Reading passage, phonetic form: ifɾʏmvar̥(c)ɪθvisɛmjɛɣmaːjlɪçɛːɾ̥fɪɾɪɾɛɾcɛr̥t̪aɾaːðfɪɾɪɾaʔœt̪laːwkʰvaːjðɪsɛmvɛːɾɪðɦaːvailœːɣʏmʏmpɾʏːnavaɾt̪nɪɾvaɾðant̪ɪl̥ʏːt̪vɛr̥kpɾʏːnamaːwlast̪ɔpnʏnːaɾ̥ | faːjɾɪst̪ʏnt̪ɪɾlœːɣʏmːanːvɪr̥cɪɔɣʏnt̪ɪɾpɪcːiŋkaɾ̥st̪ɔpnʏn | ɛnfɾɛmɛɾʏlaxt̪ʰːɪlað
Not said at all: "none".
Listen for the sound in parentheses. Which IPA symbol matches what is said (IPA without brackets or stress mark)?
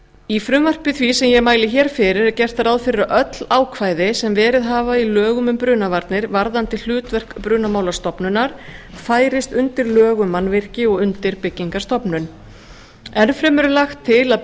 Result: p